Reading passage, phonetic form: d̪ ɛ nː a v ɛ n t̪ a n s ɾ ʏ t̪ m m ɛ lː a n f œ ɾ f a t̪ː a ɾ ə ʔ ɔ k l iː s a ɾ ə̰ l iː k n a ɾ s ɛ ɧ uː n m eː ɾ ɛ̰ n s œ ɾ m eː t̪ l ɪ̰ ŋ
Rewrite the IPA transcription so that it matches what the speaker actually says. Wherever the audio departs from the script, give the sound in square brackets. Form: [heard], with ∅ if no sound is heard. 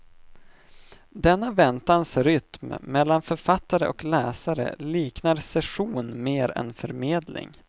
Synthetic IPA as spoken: d̪ ɛ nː a v ɛ n t̪ a n s ɾ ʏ t̪ m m ɛ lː a n f œ ɾ f a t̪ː a ɾ ə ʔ ɔ k l [ɛː] s a ɾ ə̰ l iː k n a ɾ s ɛ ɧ uː n m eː ɾ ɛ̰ n [f] œ ɾ m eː [d̪] l ɪ̰ ŋ